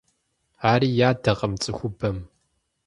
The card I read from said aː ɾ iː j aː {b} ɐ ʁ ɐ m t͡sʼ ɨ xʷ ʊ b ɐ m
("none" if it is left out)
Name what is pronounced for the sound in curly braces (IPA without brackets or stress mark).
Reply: d